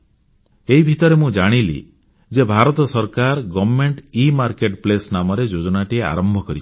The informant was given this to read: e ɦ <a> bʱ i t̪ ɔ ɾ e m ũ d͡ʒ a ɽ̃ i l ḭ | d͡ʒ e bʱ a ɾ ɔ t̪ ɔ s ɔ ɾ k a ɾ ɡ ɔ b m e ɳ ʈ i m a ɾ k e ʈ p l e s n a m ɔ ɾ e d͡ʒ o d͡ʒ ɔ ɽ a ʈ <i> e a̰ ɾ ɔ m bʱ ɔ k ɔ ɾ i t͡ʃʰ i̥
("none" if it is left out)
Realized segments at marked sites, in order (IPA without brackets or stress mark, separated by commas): i, i